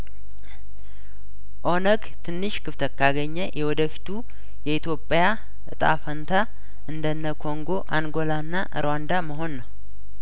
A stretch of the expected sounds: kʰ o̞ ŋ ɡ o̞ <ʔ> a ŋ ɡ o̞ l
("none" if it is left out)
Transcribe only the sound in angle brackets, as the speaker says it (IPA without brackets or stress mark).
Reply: ʔ